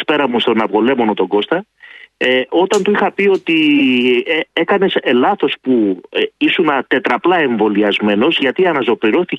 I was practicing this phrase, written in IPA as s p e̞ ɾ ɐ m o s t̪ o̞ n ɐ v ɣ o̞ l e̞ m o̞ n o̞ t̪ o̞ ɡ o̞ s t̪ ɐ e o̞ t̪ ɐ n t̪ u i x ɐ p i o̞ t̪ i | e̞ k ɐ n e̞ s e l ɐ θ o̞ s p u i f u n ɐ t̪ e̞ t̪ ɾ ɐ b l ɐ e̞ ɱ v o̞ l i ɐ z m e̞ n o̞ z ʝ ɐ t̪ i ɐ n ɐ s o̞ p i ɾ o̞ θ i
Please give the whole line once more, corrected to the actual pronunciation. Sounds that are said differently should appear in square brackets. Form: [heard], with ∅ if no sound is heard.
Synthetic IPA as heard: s p e̞ ɾ ɐ m [u] s t̪ o̞ n ɐ v ɣ o̞ l e̞ m o̞ n o̞ t̪ o̞ ɡ o̞ s t̪ ɐ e o̞ t̪ ɐ n t̪ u i x ɐ p i o̞ t̪ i | e̞ k ɐ n e̞ s e l ɐ θ o̞ s p u i [s] u n ɐ t̪ e̞ t̪ ɾ ɐ [p] l ɐ e̞ ɱ v o̞ l i ɐ z m e̞ n o̞ z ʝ ɐ t̪ i ɐ n ɐ [z] o̞ p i ɾ o̞ θ i